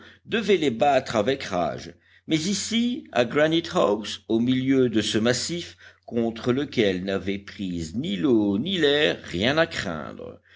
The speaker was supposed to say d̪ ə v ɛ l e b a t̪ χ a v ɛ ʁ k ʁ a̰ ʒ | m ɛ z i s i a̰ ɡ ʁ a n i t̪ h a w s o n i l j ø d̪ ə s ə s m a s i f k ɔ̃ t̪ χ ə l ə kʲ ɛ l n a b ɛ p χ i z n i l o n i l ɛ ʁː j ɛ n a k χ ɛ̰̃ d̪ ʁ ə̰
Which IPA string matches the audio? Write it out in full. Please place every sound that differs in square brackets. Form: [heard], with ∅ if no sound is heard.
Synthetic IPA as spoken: d̪ ə v ɛ l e b a t̪ χ a v ɛ [∅] k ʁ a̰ ʒ | m ɛ z i s i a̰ ɡ ʁ a n i t̪ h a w s o [m] i l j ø d̪ ə s ə [∅] m a s i f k ɔ̃ t̪ χ ə l ə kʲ ɛ l n a [v] ɛ p χ i z n i l o n i l ɛ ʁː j [ɛ̃] n a k χ ɛ̰̃ d̪ ʁ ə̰